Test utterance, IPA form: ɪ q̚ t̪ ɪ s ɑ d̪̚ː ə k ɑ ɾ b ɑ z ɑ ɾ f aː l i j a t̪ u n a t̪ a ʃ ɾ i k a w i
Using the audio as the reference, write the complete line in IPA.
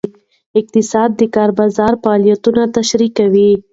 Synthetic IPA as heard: ɪ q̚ t̪ ɪ s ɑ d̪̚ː ə k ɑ ɾ b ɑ z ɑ ɾ f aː l i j a t̪ u n a t̪ a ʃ ɾ i k a w i